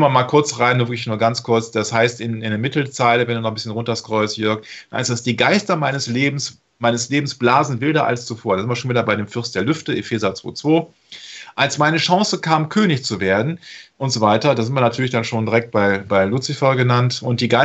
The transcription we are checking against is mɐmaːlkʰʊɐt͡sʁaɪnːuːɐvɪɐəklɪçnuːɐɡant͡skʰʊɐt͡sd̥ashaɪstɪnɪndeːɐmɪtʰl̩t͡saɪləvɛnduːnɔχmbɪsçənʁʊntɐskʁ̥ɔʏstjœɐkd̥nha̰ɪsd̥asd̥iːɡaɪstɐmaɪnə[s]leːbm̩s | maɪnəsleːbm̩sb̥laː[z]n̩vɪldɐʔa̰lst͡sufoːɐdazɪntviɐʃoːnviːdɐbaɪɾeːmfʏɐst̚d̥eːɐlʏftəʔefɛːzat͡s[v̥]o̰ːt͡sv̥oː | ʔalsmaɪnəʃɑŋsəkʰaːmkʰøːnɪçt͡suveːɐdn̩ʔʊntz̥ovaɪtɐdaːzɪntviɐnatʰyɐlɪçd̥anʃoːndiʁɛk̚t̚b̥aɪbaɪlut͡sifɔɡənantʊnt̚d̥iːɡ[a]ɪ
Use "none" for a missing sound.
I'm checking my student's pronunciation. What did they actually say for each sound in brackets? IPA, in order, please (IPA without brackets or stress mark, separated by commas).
s, z, v̥, a